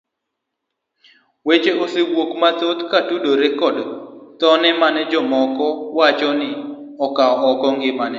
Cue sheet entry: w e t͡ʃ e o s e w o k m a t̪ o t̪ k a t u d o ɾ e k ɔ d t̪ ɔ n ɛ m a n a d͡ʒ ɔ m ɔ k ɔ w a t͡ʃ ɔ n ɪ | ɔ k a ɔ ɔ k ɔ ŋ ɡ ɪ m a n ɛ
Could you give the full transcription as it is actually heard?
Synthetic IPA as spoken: w e t͡ʃ e o s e w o k m a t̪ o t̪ k a t u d o ɾ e k ɔ d t̪ ɔ n ɛ m a n ɛ d͡ʒ ɔ m ɔ k ɔ w a t͡ʃ ɔ n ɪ | ɔ k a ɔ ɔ k ɔ ŋ ɡ ɪ m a n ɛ